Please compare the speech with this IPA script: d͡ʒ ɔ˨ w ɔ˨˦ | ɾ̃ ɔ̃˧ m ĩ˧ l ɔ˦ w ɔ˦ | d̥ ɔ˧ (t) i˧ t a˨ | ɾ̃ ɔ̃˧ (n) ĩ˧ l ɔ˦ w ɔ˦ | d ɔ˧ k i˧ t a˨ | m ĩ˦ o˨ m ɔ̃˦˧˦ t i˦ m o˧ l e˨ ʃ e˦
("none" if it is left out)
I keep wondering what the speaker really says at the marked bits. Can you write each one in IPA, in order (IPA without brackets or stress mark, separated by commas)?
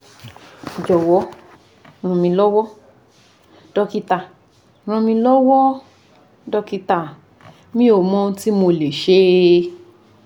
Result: k, m